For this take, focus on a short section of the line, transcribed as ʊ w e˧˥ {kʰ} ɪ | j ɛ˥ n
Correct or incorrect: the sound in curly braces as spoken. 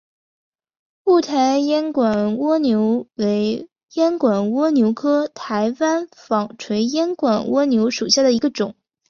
incorrect: none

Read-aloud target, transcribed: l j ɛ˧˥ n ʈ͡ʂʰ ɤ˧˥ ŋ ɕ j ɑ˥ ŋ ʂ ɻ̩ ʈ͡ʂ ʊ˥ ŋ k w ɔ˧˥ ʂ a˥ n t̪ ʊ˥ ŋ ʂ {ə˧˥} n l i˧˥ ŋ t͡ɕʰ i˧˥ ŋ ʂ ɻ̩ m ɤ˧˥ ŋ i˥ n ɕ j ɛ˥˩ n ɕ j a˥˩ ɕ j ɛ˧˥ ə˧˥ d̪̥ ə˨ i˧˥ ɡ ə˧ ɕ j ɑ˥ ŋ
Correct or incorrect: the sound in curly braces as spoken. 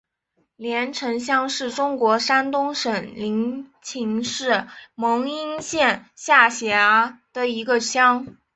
incorrect: ə˨˩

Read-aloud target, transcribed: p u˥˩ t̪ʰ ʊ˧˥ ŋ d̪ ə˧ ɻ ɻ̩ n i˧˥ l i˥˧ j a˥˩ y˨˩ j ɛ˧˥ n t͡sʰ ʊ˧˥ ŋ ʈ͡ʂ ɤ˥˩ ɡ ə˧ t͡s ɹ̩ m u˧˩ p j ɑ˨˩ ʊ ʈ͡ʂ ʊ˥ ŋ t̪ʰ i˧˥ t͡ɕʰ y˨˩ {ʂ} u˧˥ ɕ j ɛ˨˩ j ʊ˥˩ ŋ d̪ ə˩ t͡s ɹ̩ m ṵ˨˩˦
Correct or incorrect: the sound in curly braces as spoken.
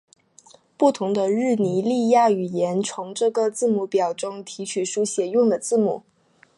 correct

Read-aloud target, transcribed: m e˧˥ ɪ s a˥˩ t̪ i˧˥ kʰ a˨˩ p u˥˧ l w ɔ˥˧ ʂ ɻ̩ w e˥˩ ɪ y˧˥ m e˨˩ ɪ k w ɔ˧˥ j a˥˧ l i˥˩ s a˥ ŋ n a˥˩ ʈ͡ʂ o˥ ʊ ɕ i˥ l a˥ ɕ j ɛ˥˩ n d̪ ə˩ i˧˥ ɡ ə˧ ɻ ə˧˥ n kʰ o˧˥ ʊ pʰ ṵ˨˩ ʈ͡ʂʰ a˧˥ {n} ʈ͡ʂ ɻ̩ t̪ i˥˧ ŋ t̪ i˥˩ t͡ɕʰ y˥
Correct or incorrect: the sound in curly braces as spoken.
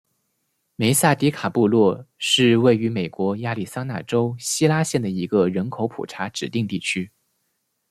incorrect: none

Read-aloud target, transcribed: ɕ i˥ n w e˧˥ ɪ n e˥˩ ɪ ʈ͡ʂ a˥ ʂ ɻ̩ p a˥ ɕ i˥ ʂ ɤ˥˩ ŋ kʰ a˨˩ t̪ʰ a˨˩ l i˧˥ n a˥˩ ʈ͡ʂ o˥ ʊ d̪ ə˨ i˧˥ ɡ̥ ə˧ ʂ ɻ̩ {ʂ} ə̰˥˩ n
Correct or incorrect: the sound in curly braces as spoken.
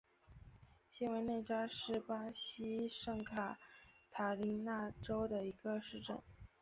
incorrect: ʈ͡ʂ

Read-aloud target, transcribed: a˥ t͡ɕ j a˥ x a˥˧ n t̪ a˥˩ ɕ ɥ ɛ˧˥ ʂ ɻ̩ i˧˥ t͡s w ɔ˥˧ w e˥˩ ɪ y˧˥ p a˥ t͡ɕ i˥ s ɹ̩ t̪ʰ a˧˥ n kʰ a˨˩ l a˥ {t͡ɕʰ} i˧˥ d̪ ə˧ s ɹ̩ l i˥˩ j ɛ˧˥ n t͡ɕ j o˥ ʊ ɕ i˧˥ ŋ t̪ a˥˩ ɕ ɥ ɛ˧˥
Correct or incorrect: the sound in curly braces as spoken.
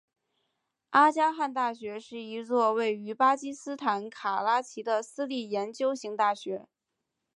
correct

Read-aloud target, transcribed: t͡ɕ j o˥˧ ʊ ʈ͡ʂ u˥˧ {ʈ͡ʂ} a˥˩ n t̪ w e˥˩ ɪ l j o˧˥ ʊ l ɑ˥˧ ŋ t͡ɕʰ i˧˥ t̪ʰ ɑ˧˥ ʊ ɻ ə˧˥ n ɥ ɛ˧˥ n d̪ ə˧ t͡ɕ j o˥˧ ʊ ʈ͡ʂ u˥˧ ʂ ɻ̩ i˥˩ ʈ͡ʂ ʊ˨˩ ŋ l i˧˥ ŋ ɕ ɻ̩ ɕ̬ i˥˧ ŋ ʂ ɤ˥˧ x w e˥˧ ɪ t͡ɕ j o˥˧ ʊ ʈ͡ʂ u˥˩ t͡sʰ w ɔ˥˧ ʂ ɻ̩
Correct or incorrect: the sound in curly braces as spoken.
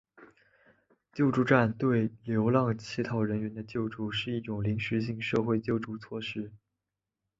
correct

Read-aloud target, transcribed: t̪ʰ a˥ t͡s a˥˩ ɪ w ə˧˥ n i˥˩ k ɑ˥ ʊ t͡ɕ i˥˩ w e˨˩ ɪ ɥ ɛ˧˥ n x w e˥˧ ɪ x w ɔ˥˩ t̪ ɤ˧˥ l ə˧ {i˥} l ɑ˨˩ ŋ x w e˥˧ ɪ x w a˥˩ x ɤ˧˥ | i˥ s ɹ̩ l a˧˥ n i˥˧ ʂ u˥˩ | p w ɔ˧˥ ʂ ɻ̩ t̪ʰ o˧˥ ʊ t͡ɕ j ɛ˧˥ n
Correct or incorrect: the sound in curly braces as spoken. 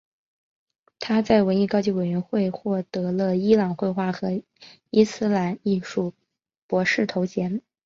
correct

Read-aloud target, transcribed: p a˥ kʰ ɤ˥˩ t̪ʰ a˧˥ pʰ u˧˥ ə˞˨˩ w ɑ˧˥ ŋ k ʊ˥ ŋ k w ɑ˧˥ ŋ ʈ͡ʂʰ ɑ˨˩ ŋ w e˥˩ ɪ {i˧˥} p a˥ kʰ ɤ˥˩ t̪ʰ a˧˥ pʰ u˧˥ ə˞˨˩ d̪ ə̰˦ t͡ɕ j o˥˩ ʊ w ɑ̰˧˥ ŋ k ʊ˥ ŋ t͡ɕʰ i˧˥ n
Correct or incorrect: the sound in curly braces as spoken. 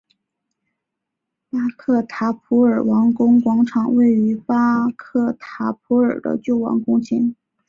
incorrect: y˧˥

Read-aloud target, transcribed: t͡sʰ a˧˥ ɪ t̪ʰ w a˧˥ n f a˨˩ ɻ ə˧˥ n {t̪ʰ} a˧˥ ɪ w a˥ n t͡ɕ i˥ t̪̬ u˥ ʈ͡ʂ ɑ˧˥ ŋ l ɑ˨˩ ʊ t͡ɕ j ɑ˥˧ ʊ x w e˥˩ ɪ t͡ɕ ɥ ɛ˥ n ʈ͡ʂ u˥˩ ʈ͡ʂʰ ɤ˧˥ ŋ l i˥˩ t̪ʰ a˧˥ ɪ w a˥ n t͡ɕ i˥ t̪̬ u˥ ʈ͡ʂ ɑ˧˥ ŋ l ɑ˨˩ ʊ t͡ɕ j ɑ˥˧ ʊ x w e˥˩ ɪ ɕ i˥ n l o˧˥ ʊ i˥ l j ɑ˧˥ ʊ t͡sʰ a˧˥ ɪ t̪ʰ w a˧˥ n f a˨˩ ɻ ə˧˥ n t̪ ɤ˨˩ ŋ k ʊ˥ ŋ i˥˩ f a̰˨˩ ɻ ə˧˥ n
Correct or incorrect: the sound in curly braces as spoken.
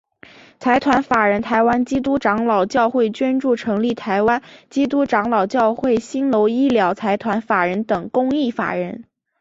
correct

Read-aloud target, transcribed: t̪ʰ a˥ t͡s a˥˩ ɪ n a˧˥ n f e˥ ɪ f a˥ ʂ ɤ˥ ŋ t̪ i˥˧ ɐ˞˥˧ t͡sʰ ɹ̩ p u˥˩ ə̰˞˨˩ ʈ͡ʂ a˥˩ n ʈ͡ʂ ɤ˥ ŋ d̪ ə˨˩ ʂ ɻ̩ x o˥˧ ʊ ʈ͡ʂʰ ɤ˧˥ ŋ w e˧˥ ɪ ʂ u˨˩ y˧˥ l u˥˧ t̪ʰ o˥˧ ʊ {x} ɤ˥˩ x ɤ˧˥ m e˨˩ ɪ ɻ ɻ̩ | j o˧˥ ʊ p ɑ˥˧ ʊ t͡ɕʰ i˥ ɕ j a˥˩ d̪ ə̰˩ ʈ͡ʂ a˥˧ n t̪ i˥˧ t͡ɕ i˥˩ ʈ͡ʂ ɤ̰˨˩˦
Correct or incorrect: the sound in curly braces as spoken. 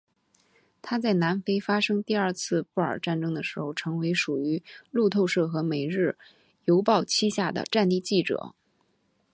incorrect: ʂ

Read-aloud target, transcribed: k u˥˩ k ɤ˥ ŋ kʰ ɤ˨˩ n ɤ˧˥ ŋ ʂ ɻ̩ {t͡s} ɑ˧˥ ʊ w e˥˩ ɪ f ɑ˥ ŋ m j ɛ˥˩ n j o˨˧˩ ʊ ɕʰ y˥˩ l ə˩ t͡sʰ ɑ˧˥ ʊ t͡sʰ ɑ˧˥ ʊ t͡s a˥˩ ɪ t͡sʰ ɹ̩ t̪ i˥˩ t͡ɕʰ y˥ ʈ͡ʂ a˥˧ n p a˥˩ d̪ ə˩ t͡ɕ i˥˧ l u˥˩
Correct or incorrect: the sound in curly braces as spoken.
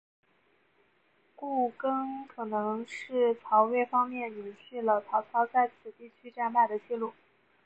incorrect: t͡sʰ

